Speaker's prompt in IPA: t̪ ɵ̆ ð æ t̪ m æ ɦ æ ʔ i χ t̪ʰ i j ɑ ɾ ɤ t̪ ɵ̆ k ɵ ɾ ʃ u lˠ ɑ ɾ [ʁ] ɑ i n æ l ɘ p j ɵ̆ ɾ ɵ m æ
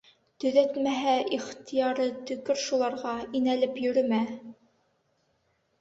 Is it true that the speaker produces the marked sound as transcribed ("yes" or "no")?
yes